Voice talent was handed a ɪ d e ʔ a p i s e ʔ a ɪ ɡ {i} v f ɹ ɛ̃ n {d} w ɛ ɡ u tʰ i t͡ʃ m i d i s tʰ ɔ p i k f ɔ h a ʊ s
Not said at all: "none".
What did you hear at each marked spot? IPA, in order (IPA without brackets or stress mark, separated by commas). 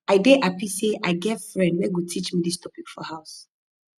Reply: ɛ, d